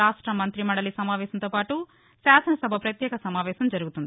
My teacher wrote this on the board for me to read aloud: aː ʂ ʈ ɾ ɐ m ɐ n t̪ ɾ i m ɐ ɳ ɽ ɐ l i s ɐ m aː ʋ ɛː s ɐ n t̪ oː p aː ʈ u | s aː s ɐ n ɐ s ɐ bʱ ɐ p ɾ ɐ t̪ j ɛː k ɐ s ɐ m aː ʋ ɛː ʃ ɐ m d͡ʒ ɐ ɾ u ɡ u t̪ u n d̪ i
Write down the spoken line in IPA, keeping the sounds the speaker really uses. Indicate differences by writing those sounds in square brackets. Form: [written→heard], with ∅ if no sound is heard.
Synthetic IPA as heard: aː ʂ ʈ ɾ ɐ m ɐ n t̪ ɾ i m ɐ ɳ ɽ ɐ l i s ɐ m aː ʋ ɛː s ɐ n t̪ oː p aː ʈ u | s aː s ɐ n ɐ s ɐ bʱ ɐ p ɾ ɐ t̪ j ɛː k ɐ s ɐ m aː ʋ ɛː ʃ ɐ m d͡ʒ ɐ ɾ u ɡ u t̪ u n d̪ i